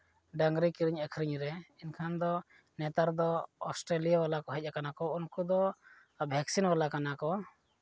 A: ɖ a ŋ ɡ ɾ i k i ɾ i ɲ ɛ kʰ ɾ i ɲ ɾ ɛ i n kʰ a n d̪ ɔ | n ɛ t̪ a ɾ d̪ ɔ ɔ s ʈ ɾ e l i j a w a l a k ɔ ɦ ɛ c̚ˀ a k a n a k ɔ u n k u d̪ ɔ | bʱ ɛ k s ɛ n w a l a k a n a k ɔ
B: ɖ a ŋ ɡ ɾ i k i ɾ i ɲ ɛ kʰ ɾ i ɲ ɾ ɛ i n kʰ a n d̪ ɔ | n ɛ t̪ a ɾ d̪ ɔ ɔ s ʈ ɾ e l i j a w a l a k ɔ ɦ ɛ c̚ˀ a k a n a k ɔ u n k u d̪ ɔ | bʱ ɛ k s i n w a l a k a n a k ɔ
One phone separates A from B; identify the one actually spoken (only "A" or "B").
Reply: B